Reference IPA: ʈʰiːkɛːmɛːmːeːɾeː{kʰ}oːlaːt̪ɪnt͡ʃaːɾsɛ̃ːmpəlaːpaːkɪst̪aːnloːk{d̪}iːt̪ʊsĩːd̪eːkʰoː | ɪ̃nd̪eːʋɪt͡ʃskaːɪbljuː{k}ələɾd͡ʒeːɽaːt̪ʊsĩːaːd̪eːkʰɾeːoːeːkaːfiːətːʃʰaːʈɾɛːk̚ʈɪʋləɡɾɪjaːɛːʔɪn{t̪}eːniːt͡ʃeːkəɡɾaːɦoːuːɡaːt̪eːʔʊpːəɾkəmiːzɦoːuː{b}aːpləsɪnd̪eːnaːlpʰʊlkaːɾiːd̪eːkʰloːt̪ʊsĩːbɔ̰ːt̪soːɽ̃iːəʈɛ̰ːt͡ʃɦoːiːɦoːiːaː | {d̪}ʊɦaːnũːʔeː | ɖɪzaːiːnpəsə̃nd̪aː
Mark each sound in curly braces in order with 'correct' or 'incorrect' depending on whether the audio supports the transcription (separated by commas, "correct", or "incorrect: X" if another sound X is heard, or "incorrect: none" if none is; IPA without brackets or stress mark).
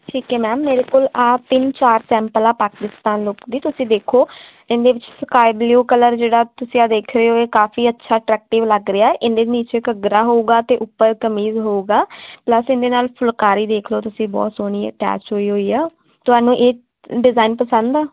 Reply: incorrect: k, correct, correct, incorrect: d̪, incorrect: ɡ, incorrect: t̪